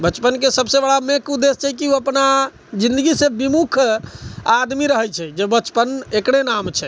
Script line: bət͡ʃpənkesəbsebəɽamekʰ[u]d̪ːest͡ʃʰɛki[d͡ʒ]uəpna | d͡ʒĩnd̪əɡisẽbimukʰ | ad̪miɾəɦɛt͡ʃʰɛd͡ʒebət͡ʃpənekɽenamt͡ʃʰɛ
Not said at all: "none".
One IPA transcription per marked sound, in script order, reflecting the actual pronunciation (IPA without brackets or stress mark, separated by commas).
u, none